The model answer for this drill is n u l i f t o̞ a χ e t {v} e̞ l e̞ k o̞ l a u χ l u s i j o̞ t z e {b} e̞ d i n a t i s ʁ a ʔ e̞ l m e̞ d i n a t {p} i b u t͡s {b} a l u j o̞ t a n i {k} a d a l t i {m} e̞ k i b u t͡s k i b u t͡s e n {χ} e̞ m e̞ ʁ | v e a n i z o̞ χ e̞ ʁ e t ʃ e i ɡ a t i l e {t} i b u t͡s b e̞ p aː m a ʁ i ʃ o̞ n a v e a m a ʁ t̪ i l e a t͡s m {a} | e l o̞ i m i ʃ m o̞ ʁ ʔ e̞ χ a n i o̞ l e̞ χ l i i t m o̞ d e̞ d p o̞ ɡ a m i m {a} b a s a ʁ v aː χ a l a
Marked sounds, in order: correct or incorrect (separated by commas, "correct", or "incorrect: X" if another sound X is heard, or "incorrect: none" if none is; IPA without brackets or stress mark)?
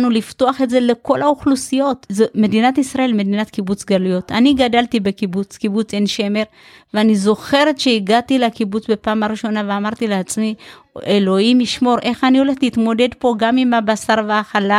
incorrect: z, incorrect: m, incorrect: k, incorrect: ɡ, incorrect: ɡ, incorrect: b, incorrect: ʃ, incorrect: k, incorrect: i, correct